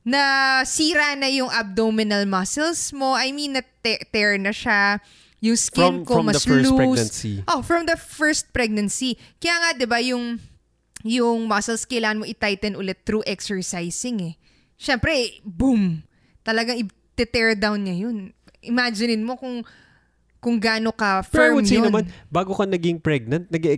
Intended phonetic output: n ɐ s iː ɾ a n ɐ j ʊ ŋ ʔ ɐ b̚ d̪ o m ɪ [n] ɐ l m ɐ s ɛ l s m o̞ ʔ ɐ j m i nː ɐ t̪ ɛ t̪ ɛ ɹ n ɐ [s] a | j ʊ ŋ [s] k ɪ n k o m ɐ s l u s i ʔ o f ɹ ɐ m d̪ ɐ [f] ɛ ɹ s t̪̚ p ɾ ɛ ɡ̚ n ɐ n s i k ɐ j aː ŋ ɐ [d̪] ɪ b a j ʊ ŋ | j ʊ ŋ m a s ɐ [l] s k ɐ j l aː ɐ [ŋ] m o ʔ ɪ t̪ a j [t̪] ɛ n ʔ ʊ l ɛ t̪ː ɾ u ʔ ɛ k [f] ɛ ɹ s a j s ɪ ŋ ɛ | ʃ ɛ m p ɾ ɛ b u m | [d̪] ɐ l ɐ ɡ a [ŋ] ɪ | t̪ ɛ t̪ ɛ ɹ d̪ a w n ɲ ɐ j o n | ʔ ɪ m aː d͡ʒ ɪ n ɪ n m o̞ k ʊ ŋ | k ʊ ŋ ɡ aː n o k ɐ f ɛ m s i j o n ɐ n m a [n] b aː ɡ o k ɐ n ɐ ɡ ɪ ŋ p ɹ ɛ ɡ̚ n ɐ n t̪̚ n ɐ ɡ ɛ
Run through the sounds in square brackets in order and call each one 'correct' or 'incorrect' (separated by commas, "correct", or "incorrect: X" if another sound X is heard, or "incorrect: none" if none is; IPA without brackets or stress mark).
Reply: correct, incorrect: ʃ, correct, correct, correct, correct, incorrect: n, correct, incorrect: s, incorrect: t̪, correct, correct